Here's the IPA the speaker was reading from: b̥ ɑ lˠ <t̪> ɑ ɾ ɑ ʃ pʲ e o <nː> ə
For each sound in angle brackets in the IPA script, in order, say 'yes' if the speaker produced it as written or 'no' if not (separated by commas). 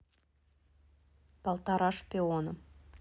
yes, no